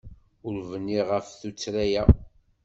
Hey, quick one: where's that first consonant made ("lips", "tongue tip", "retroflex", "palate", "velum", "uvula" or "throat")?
tongue tip